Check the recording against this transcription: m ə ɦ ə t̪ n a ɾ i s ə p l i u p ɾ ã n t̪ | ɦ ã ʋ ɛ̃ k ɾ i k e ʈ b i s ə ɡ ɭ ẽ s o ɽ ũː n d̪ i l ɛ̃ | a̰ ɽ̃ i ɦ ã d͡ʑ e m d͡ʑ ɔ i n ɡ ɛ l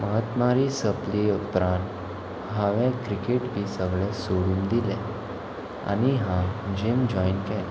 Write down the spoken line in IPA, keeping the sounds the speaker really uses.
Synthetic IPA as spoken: m ə ɦ ə t̪ m a ɾ i s ə p l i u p ɾ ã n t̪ | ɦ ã ʋ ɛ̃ k ɾ i k e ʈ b i s ə ɡ ɭ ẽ s o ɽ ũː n d̪ i l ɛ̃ | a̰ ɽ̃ i ɦ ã d͡ʑ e m d͡ʑ ɔ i n k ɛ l